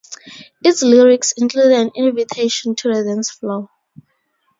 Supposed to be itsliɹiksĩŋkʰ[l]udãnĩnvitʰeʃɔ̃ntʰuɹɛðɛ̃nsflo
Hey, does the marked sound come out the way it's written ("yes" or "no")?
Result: yes